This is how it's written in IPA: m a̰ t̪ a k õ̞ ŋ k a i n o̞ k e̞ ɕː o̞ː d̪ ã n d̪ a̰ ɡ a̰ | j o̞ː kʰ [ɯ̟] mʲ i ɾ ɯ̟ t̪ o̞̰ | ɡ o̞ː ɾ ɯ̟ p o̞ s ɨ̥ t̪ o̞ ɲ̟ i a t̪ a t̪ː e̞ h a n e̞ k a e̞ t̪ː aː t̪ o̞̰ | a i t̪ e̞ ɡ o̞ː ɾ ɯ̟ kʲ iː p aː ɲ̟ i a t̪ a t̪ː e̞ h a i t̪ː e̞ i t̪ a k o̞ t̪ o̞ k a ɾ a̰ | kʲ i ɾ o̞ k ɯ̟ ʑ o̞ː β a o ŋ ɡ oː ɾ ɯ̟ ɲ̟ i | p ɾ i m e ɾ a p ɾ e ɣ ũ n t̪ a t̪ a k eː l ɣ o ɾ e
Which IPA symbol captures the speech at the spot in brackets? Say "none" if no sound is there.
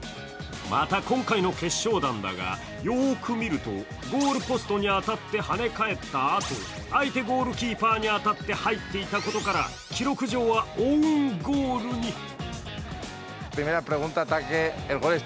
ɯ̟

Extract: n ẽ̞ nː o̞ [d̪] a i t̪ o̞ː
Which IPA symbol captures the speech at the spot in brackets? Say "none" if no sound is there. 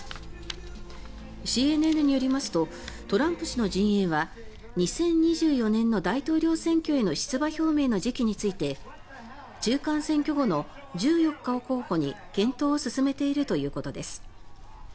d̪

